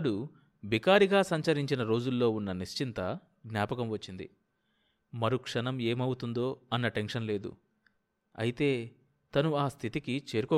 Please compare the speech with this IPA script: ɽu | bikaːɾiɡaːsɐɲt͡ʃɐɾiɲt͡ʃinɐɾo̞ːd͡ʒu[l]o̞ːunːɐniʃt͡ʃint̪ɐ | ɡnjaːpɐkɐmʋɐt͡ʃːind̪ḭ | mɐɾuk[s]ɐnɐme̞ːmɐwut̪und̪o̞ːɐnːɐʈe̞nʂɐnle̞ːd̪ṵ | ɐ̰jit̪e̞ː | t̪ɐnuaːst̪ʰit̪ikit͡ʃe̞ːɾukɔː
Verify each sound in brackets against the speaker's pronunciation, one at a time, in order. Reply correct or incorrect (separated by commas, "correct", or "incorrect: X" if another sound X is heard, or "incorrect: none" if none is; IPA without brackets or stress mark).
incorrect: lː, incorrect: ʂ